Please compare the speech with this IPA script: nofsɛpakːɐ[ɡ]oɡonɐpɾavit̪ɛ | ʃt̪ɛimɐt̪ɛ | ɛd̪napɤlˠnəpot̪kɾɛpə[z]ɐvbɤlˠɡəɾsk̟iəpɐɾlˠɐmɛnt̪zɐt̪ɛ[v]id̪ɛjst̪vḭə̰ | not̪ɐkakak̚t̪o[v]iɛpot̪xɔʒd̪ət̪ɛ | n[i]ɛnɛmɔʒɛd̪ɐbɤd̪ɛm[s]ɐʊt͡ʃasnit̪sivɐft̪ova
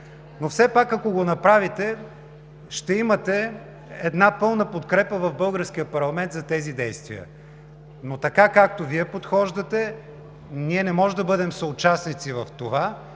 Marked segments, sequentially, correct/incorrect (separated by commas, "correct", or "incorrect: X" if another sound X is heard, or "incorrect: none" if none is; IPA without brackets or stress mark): incorrect: k, incorrect: v, incorrect: z, correct, correct, correct